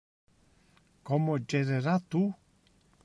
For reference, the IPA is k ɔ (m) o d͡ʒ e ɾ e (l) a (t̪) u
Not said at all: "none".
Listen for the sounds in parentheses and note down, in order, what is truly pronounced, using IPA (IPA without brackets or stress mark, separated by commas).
m, ɾ, t̪